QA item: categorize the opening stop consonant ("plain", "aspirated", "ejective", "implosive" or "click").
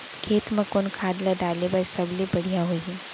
aspirated